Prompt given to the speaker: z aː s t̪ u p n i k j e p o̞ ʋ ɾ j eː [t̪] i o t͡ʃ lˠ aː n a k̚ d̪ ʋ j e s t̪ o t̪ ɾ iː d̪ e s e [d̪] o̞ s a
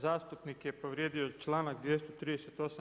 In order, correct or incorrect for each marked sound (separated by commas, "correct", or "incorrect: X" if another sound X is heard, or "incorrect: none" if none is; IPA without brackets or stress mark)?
incorrect: d̪, incorrect: t̪